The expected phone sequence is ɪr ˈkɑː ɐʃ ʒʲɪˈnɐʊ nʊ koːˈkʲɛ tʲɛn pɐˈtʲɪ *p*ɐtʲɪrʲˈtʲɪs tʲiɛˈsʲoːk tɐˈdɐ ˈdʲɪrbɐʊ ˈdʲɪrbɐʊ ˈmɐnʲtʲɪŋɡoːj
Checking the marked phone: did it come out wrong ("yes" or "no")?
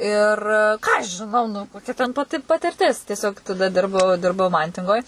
no